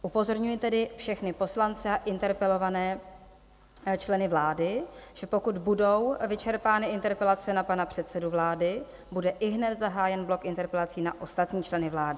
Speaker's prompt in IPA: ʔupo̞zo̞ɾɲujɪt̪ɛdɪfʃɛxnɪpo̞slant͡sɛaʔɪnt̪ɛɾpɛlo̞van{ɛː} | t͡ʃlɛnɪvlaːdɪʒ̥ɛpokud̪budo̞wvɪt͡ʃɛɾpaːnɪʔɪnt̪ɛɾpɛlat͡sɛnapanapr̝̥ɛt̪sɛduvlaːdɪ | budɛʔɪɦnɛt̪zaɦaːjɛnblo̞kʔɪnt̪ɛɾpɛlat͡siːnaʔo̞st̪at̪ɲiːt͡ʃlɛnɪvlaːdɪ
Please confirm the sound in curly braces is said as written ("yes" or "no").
yes